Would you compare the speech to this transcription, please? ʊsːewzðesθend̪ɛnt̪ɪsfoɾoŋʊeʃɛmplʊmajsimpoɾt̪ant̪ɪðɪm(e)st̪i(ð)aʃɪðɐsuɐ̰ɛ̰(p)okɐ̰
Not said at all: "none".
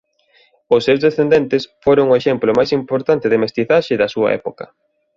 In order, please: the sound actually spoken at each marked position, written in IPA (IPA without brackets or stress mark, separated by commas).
e, θ, p